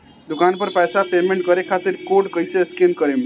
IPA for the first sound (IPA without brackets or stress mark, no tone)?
d̪